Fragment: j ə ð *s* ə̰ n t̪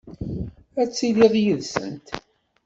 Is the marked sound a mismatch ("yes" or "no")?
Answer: no